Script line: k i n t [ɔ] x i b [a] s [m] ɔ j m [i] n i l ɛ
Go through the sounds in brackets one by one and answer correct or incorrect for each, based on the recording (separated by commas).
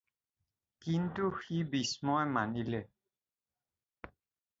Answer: incorrect, incorrect, correct, incorrect